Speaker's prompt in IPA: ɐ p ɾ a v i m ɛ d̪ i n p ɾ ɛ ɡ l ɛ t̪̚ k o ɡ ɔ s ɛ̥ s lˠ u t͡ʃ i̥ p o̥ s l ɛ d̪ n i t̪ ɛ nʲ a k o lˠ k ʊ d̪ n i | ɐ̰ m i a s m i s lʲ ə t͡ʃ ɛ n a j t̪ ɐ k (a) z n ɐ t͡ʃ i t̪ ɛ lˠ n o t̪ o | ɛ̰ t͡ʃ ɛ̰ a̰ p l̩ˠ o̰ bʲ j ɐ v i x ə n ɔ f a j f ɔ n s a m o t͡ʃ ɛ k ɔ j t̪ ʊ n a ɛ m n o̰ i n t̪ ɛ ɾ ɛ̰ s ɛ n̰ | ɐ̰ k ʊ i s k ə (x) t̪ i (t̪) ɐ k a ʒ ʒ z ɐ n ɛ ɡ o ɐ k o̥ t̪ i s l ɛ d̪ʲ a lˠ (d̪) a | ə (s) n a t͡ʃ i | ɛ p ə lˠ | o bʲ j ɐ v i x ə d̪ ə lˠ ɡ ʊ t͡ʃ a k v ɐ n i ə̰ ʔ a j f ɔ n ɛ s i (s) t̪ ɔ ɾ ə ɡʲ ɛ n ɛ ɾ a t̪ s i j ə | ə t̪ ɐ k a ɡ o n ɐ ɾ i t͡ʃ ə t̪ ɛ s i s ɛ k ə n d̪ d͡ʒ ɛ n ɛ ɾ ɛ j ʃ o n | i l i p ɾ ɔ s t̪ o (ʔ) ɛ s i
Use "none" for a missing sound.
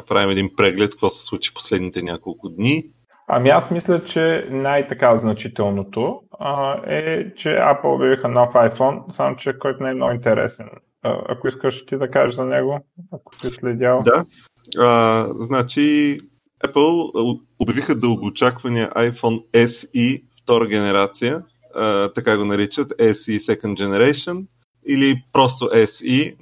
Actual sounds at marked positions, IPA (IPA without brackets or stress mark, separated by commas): a, ʃ, d̪, d̪, z, f, ʔ